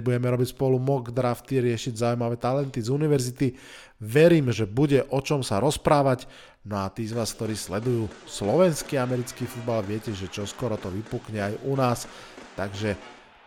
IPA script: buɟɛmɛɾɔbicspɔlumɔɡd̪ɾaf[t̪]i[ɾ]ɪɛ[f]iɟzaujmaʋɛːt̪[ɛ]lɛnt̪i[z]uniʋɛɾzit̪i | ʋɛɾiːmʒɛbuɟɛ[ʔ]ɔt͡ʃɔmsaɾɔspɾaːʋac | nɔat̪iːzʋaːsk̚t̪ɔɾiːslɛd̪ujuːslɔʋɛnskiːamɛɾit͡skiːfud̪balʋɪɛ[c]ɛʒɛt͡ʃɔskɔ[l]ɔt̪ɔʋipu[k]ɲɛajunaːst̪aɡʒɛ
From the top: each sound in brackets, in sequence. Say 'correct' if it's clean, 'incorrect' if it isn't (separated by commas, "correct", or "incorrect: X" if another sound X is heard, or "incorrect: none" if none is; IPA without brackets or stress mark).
correct, correct, incorrect: ʃ, incorrect: a, correct, correct, correct, incorrect: ɾ, correct